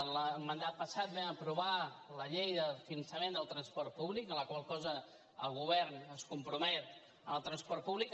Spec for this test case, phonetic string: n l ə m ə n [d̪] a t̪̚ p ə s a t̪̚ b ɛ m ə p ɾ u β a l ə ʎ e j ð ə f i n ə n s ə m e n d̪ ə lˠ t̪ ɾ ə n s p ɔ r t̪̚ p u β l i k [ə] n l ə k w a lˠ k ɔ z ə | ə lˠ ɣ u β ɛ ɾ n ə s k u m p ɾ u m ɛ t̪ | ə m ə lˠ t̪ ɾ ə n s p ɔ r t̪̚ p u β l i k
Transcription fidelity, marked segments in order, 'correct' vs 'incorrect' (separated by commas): correct, correct